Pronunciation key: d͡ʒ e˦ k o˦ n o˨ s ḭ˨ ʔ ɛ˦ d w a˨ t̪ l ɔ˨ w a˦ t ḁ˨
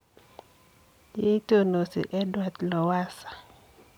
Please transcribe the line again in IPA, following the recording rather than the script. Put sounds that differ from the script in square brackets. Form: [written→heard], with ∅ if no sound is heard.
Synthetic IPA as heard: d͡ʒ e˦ [k→t] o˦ n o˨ s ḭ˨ ʔ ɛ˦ d w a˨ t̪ l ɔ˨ w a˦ [t→s] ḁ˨